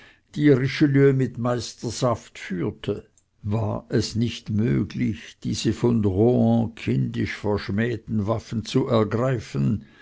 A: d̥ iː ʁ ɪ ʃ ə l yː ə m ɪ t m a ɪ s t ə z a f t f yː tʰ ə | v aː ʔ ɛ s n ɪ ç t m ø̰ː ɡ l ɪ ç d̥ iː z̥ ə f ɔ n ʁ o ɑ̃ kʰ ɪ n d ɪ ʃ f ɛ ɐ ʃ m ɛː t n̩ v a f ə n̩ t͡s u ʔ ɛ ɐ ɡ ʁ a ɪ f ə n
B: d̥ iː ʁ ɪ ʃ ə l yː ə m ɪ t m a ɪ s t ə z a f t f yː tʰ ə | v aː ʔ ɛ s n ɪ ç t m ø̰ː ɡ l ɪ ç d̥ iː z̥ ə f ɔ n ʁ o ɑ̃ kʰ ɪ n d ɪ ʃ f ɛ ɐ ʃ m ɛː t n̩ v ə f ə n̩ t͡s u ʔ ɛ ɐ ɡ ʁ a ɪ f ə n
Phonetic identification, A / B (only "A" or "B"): A